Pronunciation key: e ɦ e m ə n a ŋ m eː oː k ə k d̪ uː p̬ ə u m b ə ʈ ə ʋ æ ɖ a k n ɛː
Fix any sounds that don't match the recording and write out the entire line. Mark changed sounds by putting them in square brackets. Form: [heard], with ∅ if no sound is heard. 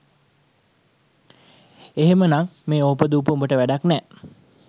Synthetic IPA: e ɦ e m ə n a ŋ m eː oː [p] ə [∅] d̪ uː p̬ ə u m b ə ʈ ə ʋ æ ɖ a k n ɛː